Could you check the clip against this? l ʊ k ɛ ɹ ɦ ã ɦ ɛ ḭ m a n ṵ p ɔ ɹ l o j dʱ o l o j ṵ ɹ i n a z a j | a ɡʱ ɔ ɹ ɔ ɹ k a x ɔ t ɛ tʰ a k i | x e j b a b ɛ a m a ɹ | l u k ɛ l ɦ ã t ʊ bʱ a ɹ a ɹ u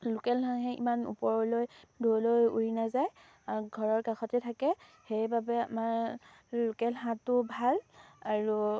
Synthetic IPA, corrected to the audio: l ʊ k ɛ l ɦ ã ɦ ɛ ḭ m a n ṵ p ɔ ɹ l o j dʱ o l o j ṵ ɹ i n a z a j | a ɡʱ ɔ ɹ ɔ ɹ k a x ɔ t ɛ tʰ a k ɛ | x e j b a b ɛ a m a ɹ | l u k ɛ l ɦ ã t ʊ bʱ a l a ɹ u